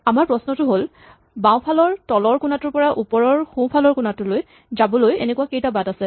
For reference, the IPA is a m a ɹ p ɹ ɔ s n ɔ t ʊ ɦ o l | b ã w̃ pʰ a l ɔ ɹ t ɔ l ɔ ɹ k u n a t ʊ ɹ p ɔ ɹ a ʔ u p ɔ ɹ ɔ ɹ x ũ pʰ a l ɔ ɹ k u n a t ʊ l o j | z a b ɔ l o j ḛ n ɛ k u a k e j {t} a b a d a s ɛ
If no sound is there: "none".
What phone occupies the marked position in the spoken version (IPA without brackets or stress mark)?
t